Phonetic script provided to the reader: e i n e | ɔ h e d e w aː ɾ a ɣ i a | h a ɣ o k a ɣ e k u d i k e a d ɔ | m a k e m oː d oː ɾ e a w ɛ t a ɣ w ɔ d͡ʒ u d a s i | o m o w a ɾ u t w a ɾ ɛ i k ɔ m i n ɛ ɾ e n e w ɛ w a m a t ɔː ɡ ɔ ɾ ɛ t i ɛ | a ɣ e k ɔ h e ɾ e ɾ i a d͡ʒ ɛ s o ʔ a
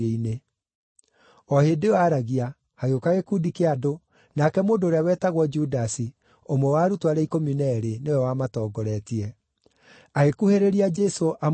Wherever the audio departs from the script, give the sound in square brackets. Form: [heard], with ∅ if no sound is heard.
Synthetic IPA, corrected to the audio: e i n e | ɔ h e d e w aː ɾ a ɣ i a | h a ɣ o k a ɣ e k u d i k e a d [o] | [n] a k [ɛ] m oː d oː ɾ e a w ɛ t a ɣ w ɔ d͡ʒ u d a s i | o m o w a ɾ u t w a ɾ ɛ i k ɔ m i n ɛ ɾ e n e w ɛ w a m a t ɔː ɡ ɔ ɾ ɛ t i ɛ | a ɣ e k [u] h e ɾ e ɾ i a d͡ʒ ɛ s o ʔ a